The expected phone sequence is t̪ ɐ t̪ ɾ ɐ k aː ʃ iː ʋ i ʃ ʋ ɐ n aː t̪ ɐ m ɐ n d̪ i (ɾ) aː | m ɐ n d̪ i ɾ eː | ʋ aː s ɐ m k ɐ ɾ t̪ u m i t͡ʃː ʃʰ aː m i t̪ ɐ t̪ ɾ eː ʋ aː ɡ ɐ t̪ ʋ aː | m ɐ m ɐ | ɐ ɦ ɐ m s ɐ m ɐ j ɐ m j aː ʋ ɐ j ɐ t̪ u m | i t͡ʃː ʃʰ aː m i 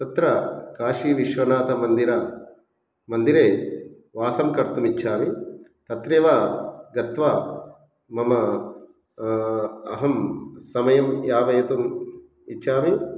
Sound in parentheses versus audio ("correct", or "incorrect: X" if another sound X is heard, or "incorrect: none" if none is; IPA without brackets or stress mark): correct